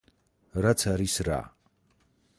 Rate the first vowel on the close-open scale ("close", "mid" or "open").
open